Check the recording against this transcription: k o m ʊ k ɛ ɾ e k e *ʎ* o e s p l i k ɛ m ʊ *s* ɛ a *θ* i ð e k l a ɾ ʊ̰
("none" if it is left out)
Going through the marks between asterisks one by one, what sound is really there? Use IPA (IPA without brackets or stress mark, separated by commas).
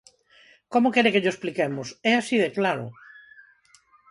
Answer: ʎ, s, s